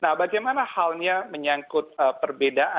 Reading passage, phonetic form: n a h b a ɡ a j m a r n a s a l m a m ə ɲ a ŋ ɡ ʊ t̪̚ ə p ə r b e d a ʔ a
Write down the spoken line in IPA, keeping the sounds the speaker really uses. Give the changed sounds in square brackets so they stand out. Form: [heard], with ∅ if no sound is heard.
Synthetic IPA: n a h b a ɡ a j m a [∅] n a [h] a l [ɲ] a m ə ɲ a ŋ [k] ʊ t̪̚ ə p ə r b e d a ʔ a